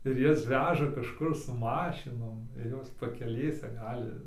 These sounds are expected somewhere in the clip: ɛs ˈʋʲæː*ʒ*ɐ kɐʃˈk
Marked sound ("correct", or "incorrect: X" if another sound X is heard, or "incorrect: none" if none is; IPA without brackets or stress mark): correct